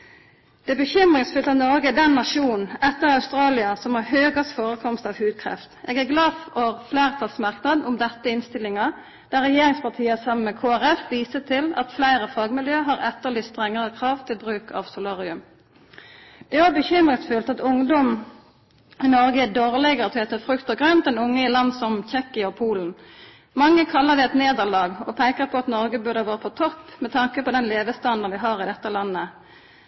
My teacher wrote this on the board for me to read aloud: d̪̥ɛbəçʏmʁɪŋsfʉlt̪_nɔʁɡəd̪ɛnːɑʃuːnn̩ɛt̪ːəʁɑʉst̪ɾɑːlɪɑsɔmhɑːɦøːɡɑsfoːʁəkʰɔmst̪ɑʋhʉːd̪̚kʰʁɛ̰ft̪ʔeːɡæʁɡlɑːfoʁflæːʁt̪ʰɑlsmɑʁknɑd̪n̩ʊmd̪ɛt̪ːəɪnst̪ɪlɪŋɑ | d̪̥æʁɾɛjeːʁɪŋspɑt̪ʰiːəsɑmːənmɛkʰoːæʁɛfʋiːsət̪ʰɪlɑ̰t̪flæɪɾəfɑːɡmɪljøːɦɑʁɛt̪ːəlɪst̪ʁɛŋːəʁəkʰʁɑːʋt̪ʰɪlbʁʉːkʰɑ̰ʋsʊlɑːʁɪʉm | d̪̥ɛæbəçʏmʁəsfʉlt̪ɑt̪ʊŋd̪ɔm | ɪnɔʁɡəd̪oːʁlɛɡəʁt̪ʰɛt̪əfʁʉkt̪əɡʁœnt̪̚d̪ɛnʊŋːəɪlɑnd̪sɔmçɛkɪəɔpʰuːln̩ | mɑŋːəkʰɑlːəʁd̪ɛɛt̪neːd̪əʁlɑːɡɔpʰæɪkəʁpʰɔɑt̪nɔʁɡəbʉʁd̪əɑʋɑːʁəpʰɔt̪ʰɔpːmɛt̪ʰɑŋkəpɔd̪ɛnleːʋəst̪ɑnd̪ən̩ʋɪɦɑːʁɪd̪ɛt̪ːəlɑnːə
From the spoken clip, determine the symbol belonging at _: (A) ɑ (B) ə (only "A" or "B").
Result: A